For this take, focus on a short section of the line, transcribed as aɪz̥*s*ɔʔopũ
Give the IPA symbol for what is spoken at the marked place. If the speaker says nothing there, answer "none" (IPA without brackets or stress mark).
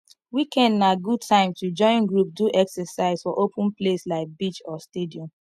f